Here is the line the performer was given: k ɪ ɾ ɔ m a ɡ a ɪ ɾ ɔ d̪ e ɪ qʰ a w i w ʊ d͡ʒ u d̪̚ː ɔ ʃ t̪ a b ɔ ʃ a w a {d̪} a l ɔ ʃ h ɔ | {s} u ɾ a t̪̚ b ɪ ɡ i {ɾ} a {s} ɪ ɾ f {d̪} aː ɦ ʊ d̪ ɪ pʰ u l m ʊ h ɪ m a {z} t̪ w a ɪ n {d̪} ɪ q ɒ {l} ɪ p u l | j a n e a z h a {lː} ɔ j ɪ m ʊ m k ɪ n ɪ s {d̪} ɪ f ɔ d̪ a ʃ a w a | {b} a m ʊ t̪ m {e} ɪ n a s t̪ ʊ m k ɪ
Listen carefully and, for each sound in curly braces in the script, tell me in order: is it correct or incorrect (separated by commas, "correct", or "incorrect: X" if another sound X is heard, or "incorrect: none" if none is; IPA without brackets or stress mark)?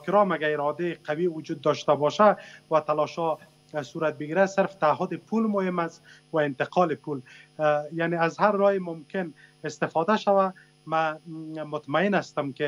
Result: incorrect: t̪, correct, correct, correct, incorrect: t̪, incorrect: s, incorrect: t̪, correct, incorrect: ɾː, incorrect: t̪, incorrect: m, incorrect: a